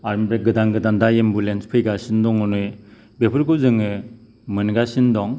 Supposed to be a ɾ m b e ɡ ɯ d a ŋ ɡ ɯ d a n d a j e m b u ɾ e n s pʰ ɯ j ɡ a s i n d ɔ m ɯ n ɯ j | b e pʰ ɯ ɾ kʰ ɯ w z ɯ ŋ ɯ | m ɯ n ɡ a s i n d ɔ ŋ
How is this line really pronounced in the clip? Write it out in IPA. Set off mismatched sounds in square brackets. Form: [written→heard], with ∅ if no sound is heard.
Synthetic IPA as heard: a ɾ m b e ɡ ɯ d a ŋ ɡ ɯ d a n d a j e m b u [ɾ→l] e n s pʰ ɯ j ɡ a s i n d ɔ [m→ŋ] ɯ n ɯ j | b e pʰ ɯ ɾ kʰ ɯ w z ɯ ŋ ɯ | m ɯ n ɡ a s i n d ɔ ŋ